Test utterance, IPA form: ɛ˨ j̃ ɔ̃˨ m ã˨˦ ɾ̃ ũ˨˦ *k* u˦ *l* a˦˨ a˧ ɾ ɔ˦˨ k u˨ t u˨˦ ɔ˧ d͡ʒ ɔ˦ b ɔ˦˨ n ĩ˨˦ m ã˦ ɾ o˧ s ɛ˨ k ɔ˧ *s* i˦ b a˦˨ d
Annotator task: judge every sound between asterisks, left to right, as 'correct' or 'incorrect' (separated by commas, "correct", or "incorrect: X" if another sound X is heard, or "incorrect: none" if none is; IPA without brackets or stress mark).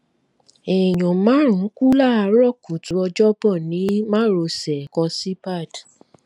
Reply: correct, correct, correct